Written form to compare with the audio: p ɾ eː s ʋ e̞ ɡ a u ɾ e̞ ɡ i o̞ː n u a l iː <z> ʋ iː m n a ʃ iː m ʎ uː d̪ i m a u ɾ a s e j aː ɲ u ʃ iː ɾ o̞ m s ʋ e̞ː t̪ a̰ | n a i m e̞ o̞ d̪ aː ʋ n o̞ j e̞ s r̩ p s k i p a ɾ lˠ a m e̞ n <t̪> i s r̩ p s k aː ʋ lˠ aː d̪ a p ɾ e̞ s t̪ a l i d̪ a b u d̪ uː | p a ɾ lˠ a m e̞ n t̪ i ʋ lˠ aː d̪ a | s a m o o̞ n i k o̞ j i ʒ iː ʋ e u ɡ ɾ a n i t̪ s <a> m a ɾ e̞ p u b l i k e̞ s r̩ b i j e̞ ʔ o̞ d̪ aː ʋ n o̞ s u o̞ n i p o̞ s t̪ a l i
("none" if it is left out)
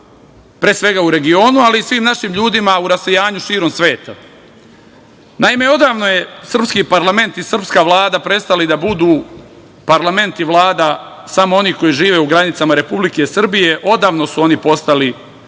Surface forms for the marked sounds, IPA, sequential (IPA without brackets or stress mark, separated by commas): s, t̪, a